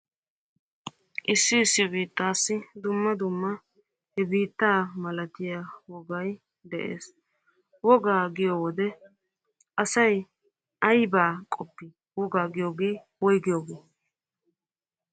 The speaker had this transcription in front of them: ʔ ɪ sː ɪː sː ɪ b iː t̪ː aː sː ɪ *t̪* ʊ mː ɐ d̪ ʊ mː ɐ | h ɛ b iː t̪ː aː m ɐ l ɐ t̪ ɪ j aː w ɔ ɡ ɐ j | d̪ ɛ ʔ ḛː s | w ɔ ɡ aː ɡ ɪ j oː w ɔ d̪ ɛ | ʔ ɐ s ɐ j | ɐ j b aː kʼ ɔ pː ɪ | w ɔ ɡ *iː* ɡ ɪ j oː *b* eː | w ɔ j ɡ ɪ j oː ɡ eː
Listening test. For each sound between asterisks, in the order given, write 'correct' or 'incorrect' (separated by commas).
incorrect, incorrect, incorrect